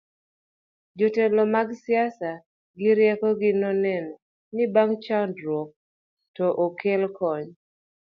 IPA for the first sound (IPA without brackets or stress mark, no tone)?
d͡ʒ